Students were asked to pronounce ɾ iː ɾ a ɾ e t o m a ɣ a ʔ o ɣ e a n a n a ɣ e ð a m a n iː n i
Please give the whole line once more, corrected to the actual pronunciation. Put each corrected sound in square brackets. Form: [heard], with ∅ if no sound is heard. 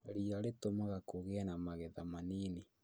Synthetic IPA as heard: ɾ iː ɾ a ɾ e t o m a ɣ a [k] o ɣ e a n a [m] a ɣ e ð a m a n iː n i